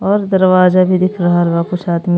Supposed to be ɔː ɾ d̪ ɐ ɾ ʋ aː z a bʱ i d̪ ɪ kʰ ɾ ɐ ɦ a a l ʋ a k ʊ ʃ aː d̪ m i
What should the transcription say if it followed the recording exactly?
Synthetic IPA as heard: ɔː ɾ d̪ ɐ ɾ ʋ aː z a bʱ i d̪ ɪ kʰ ɾ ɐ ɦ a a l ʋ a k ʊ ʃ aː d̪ m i